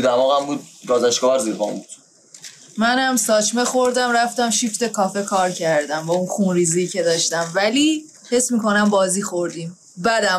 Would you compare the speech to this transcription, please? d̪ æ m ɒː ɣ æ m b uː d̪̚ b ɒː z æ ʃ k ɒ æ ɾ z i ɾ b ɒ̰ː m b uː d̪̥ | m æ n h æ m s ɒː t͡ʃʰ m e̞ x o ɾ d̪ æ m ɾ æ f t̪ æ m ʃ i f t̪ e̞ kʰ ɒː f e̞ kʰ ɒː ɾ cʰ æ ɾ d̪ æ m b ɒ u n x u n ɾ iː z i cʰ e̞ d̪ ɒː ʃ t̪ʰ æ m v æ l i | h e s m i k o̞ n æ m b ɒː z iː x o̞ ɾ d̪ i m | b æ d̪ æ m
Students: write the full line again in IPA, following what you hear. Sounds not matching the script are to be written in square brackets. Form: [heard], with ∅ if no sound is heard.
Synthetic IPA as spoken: d̪ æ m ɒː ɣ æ m b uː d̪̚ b ɒː z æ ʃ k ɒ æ ɾ z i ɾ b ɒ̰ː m b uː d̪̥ | m æ n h æ m s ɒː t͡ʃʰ m e̞ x o ɾ d̪ æ m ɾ æ f t̪ æ m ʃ i f t̪ e̞ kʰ ɒː f e̞ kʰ ɒː ɾ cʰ æ ɾ d̪ æ m b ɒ u n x u n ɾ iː z i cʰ e̞ d̪ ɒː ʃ [t̪] æ m v æ l i | h e s m i k o̞ n æ m b ɒː z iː x o̞ ɾ d̪ i m | b æ d̪ æ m